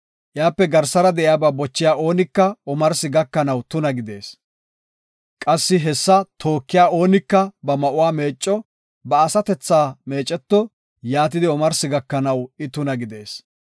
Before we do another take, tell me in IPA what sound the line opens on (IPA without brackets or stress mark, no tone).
ʔ